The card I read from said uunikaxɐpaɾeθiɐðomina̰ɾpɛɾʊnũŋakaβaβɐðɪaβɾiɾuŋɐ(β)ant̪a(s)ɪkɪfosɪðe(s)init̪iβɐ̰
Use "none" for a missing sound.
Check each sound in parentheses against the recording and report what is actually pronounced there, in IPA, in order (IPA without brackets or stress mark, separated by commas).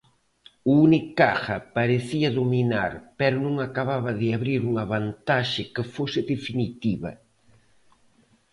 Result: β, ʃ, f